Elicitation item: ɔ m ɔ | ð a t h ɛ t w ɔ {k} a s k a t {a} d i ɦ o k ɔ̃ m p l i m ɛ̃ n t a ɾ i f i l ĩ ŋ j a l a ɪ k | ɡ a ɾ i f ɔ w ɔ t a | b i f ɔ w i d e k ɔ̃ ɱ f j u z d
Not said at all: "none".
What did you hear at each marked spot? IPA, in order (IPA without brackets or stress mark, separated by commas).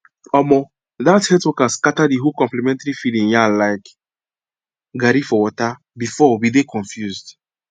k, a